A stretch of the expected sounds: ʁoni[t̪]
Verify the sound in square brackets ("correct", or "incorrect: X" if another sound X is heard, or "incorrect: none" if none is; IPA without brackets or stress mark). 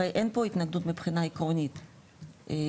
correct